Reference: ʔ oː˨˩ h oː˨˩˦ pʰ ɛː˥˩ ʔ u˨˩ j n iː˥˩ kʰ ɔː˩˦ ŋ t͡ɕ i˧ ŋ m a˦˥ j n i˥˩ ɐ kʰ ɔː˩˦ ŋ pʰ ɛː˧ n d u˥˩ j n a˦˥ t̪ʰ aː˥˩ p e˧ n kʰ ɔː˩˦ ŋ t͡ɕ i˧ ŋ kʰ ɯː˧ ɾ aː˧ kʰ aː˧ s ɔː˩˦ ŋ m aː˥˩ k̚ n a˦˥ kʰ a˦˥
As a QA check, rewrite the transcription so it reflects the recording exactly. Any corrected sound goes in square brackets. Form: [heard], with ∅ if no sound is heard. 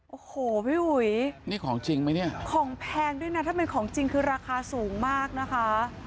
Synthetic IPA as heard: ʔ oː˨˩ h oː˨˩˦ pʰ [iː˥˩] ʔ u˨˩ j n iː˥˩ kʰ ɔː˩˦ ŋ t͡ɕ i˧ ŋ m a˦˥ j n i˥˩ ɐ kʰ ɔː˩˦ ŋ pʰ ɛː˧ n d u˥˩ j n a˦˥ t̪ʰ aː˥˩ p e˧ n kʰ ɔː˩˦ ŋ t͡ɕ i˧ ŋ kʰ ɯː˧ ɾ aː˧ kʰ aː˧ s [uː˩˦] ŋ m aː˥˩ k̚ n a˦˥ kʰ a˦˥